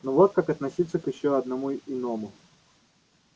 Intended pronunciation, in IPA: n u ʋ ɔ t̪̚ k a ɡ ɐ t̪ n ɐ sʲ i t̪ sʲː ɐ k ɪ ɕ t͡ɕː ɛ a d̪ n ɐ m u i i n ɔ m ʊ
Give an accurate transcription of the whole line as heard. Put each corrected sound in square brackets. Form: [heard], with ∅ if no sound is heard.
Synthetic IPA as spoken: n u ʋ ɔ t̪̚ k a [k] ɐ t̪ n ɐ sʲ i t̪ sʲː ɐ k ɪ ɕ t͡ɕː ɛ [ɐ] d̪ n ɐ m u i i n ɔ m ʊ